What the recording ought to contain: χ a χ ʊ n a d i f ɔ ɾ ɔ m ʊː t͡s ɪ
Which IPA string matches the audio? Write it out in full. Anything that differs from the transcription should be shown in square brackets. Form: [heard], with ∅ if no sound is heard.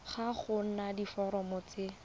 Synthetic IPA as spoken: χ a χ ʊ n a d i f ɔ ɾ ɔ m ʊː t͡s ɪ